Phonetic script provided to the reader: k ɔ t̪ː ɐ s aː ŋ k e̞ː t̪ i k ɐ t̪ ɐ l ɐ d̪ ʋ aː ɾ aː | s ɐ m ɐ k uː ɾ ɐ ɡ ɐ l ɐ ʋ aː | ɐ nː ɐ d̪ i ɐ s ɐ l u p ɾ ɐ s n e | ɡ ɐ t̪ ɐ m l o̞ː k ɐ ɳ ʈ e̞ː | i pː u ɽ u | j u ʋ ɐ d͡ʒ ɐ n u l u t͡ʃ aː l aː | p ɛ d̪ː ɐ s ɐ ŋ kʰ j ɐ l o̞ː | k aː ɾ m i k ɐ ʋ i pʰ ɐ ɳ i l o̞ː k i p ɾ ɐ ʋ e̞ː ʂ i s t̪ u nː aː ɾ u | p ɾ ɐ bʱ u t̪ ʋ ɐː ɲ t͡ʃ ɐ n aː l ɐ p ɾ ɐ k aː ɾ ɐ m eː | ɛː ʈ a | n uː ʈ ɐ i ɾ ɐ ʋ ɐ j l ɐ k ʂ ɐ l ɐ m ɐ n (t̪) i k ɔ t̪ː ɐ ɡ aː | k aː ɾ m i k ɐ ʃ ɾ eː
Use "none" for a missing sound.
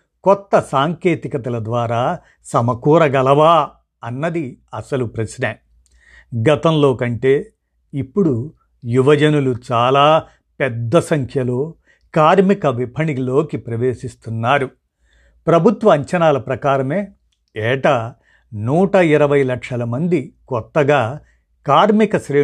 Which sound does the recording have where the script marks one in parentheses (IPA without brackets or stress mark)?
d̪